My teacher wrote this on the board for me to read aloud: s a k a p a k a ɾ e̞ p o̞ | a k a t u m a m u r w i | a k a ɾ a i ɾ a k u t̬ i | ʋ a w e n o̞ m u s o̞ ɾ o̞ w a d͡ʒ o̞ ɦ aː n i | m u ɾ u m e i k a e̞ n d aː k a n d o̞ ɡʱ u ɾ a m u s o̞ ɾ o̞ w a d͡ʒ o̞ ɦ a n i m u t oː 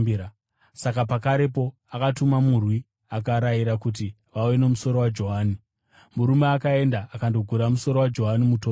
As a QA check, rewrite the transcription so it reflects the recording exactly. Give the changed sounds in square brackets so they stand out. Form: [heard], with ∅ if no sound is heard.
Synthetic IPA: s a k a p a k a ɾ e̞ p o̞ | a k a t u m a m u r w i | a k a ɾ a i ɾ a k u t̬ i | ʋ a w e n o̞ m u s o̞ ɾ o̞ w a d͡ʒ o̞ ɦ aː n i | m u ɾ u m e [a] k a e̞ n d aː k a n d o̞ ɡʱ u ɾ a m u s o̞ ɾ o̞ w a d͡ʒ o̞ ɦ a n i m u t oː